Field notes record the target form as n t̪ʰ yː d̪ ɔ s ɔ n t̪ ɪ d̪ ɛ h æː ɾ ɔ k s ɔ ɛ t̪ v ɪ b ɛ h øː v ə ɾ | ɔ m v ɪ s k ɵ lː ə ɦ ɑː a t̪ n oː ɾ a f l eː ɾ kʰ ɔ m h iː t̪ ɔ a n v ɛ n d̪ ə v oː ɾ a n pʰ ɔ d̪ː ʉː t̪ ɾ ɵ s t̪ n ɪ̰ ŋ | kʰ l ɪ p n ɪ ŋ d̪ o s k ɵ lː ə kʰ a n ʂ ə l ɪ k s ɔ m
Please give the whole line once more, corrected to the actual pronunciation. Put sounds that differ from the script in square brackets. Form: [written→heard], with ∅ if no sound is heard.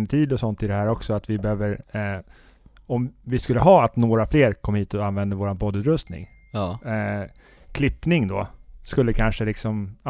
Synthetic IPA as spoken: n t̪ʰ [yː→iː] d̪ ɔ s ɔ n t̪ ɪ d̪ ɛ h æː ɾ ɔ k s ɔ [ɛ→a] t̪ v ɪ b ɛ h øː v ə ɾ | ɔ m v ɪ s k ɵ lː ə ɦ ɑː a t̪ n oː ɾ a f l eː ɾ kʰ ɔ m h iː t̪ ɔ a n v ɛ n d̪ ə v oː ɾ a n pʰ ɔ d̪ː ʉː t̪ ɾ ɵ s t̪ n ɪ̰ ŋ | kʰ l ɪ p n ɪ ŋ d̪ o s k ɵ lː ə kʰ a n ʂ ə l ɪ k s ɔ m